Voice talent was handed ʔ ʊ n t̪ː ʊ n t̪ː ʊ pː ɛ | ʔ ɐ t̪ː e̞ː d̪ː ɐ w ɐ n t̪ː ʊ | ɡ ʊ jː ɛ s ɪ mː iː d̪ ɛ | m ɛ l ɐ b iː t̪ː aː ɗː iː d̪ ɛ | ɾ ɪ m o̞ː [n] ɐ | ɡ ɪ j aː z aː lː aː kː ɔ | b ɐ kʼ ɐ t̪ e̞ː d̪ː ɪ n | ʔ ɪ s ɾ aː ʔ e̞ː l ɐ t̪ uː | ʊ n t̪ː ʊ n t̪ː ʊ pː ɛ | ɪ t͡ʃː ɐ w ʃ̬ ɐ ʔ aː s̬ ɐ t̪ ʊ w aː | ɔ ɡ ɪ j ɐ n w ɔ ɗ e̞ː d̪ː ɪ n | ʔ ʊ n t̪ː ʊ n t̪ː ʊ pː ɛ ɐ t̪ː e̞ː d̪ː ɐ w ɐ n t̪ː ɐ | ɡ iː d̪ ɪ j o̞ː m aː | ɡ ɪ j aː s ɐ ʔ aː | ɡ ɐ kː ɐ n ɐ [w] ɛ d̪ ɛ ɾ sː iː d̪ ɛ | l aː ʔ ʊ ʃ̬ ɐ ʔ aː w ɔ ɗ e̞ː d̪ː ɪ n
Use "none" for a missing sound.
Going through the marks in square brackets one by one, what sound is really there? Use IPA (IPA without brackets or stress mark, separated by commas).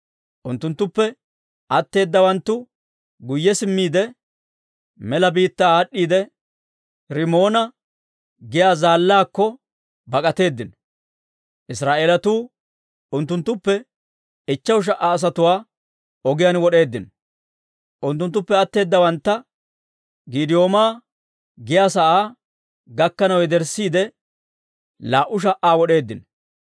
n, w